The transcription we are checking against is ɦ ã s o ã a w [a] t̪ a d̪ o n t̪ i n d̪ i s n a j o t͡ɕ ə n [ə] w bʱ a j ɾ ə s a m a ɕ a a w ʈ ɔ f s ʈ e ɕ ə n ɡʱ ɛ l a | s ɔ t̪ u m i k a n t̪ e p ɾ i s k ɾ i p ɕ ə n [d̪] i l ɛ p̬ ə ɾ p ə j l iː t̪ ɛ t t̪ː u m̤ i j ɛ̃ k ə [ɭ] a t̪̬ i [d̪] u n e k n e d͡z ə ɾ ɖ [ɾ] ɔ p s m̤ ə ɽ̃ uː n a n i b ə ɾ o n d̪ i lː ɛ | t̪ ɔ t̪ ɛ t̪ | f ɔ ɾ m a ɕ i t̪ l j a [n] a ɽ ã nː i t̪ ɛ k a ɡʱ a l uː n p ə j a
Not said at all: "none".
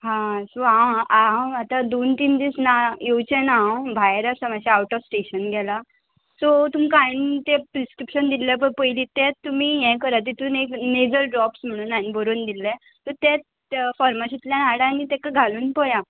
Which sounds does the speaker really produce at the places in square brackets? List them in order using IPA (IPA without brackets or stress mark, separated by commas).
a, a, d̪, ɾ, t̪, ɾ, n